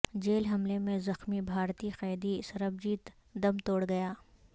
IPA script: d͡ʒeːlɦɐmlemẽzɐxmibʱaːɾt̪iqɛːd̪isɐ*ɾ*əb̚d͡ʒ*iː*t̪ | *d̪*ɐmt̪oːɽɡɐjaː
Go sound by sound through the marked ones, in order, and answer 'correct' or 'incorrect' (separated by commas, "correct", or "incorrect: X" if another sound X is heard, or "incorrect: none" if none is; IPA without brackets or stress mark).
correct, correct, correct